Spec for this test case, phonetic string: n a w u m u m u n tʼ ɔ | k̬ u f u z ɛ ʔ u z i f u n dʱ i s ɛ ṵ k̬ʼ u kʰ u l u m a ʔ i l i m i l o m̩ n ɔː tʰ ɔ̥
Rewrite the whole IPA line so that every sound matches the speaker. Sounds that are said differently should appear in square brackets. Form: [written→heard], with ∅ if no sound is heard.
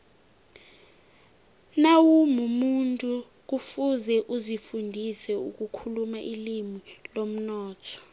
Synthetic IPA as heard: n a w u m u m u n tʼ [ɔ→u] | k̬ u f u z ɛ ʔ u z i f u n dʱ i s ɛ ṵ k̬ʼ u kʰ u l u m a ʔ i l i m i l o m̩ n ɔː tʰ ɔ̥